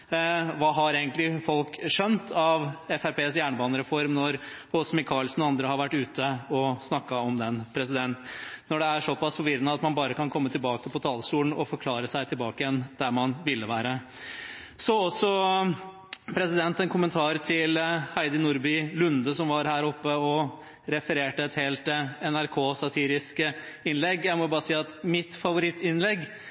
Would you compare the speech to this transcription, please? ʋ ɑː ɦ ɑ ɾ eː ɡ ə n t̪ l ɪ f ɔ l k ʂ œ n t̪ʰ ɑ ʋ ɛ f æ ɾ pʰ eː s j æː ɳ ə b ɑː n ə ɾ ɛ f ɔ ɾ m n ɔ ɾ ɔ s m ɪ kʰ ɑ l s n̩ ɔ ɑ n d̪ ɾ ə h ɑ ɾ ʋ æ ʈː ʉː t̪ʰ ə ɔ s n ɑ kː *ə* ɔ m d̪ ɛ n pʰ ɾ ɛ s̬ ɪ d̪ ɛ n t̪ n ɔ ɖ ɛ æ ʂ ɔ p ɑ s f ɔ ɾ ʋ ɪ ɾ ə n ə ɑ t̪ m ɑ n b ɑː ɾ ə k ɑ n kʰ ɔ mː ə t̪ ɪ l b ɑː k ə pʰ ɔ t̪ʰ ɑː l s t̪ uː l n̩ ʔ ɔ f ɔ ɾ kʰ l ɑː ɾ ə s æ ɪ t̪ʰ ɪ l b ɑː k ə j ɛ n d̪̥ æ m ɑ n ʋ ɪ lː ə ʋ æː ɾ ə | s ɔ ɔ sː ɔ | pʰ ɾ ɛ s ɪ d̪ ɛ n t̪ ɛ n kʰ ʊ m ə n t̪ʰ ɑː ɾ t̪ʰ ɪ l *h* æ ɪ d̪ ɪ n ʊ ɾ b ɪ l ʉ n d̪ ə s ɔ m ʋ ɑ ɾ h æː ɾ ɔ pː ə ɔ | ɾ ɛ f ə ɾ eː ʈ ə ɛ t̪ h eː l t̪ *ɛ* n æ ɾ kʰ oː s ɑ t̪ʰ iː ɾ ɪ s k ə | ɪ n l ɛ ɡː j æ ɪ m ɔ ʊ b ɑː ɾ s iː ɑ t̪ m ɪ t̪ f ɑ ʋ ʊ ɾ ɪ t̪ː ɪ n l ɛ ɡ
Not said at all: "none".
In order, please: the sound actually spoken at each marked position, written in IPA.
ɑ, h, ɛ

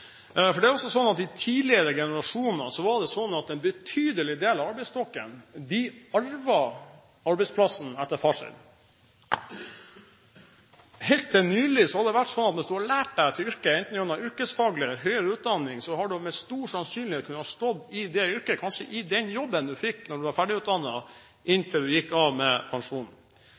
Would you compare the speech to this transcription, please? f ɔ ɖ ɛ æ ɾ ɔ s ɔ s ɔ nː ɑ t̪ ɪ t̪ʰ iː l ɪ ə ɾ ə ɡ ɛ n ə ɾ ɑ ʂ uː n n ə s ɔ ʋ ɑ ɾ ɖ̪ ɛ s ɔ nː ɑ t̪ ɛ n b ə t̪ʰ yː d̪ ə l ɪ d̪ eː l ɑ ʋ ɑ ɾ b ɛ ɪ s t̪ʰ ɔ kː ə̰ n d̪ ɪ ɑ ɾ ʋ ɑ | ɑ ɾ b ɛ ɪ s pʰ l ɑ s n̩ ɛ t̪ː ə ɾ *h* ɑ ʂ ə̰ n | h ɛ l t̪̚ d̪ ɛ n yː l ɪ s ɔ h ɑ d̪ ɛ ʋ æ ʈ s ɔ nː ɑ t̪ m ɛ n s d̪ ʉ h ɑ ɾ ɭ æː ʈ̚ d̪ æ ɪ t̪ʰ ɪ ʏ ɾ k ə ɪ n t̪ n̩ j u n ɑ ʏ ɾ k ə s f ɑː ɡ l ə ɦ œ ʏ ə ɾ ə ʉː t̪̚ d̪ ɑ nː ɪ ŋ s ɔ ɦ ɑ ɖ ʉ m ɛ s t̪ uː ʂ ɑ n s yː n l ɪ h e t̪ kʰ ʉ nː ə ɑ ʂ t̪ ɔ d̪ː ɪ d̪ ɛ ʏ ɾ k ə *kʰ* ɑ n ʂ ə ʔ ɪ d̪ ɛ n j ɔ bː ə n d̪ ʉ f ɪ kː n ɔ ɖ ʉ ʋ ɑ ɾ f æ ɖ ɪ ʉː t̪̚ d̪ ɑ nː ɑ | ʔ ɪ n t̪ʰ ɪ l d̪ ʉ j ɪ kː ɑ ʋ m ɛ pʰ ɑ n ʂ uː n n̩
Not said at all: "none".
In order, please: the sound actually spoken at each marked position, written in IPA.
f, kʰ

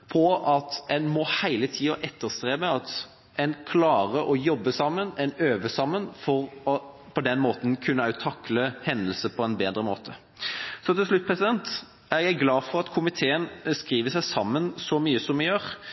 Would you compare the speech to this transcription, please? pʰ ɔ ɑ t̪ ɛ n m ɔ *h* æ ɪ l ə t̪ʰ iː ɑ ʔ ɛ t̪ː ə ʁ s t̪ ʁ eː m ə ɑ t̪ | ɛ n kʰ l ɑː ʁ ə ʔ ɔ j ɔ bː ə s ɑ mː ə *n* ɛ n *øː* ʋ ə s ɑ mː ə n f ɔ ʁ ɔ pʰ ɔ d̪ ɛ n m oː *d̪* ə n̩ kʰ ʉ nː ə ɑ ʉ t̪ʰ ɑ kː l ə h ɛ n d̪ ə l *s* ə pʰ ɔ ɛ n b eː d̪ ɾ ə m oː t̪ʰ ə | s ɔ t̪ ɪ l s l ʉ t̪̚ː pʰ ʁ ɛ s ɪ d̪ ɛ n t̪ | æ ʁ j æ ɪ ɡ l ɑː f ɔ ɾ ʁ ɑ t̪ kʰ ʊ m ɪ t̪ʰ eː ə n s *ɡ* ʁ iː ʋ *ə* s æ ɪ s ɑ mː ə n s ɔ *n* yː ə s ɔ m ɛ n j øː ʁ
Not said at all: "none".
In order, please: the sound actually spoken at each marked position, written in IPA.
h, n, øː, t̪, s, k, ə, m

